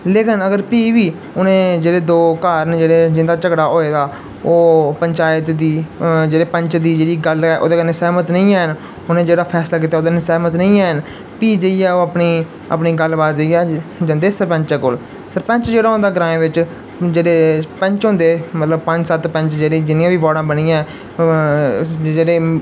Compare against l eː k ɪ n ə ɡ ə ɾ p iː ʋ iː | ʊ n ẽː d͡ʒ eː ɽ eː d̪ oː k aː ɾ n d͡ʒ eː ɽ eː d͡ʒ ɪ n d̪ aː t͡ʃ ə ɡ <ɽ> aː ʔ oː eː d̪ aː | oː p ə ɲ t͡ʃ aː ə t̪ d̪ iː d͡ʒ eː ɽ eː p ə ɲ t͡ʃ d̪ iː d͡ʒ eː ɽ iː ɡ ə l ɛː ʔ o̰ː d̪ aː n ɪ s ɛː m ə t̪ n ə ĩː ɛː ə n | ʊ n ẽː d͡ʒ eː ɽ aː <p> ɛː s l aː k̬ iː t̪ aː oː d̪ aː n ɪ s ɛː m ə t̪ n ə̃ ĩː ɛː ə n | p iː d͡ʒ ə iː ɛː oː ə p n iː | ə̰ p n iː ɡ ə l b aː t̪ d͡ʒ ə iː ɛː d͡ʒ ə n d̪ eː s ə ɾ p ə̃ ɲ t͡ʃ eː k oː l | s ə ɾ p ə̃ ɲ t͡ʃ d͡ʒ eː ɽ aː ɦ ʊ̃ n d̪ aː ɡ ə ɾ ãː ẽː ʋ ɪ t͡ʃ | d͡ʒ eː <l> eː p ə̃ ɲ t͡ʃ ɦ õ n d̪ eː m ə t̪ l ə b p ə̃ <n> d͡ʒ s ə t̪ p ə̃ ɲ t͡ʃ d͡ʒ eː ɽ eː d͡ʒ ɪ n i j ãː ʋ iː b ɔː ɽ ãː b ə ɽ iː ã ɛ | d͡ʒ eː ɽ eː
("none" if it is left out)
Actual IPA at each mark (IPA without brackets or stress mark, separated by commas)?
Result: ɽ, pʰ, ɽ, ɲ